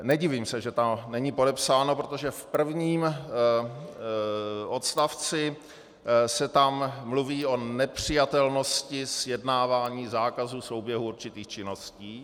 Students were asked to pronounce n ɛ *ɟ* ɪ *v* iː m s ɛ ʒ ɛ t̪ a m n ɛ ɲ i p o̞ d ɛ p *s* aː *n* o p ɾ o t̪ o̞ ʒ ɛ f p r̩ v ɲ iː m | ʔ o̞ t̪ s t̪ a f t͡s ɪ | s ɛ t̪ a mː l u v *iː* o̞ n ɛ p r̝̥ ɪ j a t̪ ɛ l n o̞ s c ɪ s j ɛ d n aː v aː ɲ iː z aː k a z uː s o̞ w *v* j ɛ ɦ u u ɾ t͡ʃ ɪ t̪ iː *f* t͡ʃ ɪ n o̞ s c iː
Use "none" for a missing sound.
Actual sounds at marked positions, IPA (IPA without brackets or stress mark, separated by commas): ɟ, v, s, n, iː, b, x